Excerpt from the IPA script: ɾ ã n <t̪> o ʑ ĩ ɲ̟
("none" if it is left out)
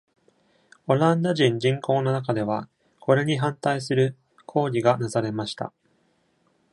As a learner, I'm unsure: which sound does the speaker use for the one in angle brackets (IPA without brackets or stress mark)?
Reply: d̪